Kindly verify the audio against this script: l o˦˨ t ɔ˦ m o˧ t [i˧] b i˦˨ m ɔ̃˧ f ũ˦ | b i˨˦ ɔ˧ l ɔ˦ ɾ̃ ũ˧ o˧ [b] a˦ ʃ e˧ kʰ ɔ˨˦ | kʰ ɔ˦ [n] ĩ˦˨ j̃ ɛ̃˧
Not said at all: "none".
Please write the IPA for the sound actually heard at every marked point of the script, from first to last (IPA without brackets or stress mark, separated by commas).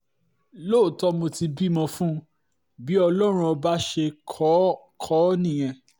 i˧, b, n